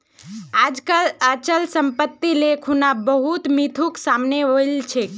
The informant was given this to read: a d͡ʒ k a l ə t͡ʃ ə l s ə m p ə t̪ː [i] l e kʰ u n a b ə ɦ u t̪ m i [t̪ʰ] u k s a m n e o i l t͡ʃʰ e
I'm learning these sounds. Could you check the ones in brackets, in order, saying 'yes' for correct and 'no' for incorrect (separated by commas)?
yes, yes